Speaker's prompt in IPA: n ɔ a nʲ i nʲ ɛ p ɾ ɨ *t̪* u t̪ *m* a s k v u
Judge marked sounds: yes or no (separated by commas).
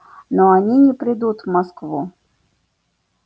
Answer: no, yes